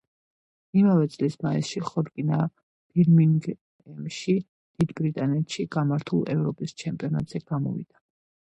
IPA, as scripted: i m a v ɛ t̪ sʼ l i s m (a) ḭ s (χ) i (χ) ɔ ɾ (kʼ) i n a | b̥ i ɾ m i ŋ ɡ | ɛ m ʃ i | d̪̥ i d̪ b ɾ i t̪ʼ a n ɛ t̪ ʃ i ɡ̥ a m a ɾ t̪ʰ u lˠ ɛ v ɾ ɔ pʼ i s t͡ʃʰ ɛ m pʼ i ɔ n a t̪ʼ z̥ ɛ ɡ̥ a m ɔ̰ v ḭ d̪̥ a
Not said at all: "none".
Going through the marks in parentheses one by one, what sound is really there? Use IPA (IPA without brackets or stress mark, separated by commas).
a, ʃ, χ, kʼ